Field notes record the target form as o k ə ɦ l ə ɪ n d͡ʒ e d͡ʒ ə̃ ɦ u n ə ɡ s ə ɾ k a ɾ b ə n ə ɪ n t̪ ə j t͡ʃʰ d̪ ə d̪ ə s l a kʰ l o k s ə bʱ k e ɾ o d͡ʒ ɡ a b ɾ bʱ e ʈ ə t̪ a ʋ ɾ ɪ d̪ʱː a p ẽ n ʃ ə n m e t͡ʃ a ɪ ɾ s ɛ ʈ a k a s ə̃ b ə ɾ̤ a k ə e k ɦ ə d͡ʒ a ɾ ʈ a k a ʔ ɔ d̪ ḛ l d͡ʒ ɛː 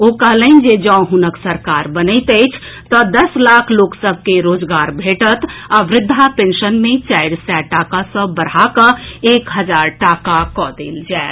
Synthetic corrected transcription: o k ə ɦ l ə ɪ n d͡ʒ e d͡ʒ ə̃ ɦ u n ə k s ə ɾ k a ɾ b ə n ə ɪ t̪ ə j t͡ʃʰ t̪ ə d̪ ə s l a kʰ l o k s ə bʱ k e ɾ o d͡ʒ ɡ a ɾ bʱ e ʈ ə t̪ a ʋ ɾ ɪ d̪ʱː a p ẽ n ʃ ə n m e t͡ʃ a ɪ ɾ s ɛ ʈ a k a s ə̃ b ə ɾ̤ a k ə e k ɦ ə d͡ʒ a ɾ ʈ a k a k ɔ d̪ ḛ l d͡ʒ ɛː